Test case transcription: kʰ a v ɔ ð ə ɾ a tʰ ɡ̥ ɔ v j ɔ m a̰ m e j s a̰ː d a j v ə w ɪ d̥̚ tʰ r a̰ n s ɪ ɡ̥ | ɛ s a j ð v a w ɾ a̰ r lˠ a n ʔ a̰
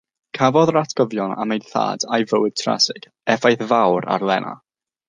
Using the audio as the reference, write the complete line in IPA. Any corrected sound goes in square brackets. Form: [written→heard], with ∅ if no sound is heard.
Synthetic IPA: kʰ a v ɔ ð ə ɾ a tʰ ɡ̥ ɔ v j ɔ [m→n] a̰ m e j [s→θ] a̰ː d a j v ə w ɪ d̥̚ tʰ r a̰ [n→∅] s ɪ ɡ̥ | ɛ [s→f] a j [ð→θ] v a w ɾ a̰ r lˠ [a→ɛ] n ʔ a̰